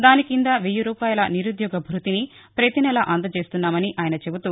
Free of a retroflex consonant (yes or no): yes